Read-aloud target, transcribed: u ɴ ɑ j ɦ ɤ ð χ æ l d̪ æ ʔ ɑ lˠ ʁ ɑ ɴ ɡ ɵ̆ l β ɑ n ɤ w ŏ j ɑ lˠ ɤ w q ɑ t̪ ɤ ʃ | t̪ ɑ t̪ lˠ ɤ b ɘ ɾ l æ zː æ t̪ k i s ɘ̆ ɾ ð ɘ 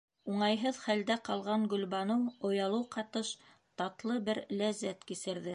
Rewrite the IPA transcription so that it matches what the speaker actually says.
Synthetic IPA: u ɴ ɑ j ɦ ɤ ð χ æ l d̪ æ q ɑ lˠ ʁ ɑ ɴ ɡ ɵ̆ l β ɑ n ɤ w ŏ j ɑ lˠ ɤ w q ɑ t̪ ɤ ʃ | t̪ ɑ t̪ lˠ ɤ b ɘ ɾ l æ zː æ t̪ k i s ɘ̆ ɾ ð ɘ

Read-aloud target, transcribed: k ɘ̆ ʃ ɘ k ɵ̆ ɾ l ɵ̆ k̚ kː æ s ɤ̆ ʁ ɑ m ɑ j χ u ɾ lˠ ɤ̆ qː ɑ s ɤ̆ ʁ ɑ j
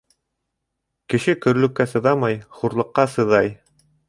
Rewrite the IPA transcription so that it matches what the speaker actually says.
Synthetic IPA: k ɘ̆ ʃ ɘ k ɵ̆ ɾ l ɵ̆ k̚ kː æ s ɤ̆ ð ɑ m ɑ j χ u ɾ lˠ ɤ̆ qː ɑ s ɤ̆ ð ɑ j

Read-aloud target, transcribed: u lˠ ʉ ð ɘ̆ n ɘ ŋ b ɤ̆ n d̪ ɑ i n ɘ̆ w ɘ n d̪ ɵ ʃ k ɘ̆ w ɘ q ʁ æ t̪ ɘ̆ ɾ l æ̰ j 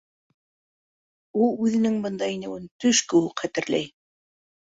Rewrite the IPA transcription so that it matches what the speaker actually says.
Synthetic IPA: u lˠ ʉ ð ɘ̆ n ɘ ŋ b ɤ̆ n d̪ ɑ i n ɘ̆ w ɘ n t̪ ɵ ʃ k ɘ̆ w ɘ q χ æ t̪ ɘ̆ ɾ l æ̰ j

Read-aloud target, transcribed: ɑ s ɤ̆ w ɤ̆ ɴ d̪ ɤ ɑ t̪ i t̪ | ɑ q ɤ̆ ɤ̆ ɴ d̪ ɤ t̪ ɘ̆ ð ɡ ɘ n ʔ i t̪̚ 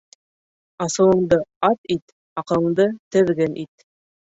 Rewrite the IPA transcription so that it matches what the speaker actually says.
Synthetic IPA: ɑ s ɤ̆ w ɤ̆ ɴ d̪ ɤ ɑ t̪ i t̪ | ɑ q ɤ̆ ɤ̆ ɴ d̪ ɤ t̪ ɘ̆ ð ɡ ɘ n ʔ i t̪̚

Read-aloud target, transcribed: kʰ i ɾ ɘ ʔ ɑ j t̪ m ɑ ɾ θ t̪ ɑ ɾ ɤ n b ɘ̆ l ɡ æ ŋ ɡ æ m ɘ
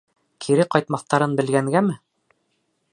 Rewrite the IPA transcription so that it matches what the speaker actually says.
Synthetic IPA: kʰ i ɾ ɘ q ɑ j t̪ m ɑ θ t̪ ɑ ɾ ɤ n b ɘ̆ l ɡ æ ŋ ɡ æ m ɘ

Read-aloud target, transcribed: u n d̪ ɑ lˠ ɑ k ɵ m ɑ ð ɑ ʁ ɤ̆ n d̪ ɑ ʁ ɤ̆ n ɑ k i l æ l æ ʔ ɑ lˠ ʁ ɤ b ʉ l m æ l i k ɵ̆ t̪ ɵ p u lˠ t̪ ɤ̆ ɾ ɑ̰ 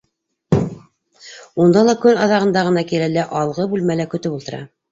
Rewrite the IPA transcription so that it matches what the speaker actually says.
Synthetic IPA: u n d̪ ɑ lˠ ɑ k ɵ n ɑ ð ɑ ʁ ɤ̆ n d̪ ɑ ʁ ɤ̆ n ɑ k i l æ l æ ʔ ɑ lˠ ʁ ɤ b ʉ l m æ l æ k ɵ̆ t̪ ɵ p u lˠ t̪ ɤ̆ ɾ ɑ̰

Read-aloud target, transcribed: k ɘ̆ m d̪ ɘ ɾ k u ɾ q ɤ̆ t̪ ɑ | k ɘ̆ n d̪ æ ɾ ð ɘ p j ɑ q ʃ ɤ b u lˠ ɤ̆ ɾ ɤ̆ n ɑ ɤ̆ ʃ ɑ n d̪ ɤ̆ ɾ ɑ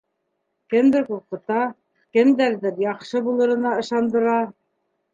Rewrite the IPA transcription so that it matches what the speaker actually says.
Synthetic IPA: k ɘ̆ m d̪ ɘ ɾ k u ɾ q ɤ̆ t̪ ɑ | k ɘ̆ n d̪ æ ɾ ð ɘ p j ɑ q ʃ ɤ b u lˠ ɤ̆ ɾ ɤ̆ n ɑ ɤ̆ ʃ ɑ n d̪ ɤ̆ ɾ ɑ

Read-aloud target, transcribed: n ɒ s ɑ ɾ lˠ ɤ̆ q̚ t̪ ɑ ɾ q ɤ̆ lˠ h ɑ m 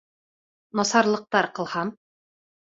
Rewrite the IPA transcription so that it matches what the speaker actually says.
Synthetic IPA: n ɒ s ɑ ɾ lˠ ɤ̆ q̚ t̪ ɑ ɾ q ɤ̆ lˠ h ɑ m

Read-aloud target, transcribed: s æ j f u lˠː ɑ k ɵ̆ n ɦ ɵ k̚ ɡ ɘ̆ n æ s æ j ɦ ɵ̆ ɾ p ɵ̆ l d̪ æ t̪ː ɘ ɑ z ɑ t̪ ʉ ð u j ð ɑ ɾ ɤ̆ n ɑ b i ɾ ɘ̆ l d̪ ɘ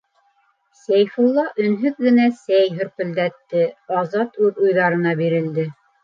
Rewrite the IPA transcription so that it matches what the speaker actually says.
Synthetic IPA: s æ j f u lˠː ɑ ʔ ɵ̆ n ɦ ɵ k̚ ɡ ɘ̆ n æ s æ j ɦ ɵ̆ ɾ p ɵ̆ l d̪ æ t̪ː ɘ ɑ z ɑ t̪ ʉ ð u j ð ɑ ɾ ɤ̆ n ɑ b i ɾ ɘ̆ l d̪ ɘ

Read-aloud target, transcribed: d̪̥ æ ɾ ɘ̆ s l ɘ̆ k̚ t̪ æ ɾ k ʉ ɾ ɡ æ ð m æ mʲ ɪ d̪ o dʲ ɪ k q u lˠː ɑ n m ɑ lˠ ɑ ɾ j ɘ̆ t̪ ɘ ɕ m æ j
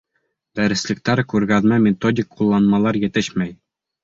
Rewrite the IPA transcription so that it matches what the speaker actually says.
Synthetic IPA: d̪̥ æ ɾ ɘ̆ s l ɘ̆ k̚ t̪ æ ɾ k ʉ ɾ ɡ æ ð m æ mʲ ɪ t̪ o dʲ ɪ k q u lˠː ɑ n m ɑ lˠ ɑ ɾ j ɘ̆ t̪ ɘ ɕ m æ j

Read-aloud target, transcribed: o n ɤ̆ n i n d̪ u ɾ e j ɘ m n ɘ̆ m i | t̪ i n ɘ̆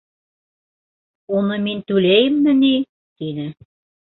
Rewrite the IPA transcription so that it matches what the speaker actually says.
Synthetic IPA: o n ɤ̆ m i n t̪ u l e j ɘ m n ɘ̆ n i | t̪ i n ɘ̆

